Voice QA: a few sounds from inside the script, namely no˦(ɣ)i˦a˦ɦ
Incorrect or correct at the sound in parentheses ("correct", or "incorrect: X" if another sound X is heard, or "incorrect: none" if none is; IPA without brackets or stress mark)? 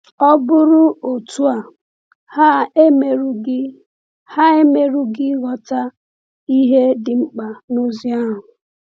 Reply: incorrect: z